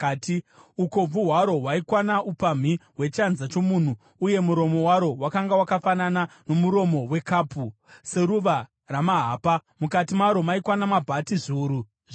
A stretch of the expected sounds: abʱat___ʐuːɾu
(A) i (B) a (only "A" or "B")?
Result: A